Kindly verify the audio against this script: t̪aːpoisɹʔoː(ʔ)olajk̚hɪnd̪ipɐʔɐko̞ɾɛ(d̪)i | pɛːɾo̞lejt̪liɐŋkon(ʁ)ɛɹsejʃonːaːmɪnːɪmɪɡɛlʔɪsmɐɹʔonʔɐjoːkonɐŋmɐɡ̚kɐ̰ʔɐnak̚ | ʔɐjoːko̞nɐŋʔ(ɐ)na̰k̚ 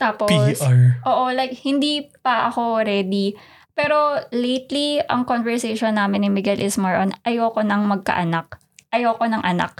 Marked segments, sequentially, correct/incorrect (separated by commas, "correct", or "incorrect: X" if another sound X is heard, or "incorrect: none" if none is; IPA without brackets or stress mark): correct, correct, incorrect: v, correct